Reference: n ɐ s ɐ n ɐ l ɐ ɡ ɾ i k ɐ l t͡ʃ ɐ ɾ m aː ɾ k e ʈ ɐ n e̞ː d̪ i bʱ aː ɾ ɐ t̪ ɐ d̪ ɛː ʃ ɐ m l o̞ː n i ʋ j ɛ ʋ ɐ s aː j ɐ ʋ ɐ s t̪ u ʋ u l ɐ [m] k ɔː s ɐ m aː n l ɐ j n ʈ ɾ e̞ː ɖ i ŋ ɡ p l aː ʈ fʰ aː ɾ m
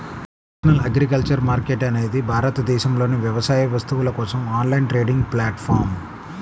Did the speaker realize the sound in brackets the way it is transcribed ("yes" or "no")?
no